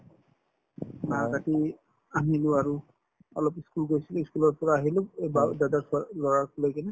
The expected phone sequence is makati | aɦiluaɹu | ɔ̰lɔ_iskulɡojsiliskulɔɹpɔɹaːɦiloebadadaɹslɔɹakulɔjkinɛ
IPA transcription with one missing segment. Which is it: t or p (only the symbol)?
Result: p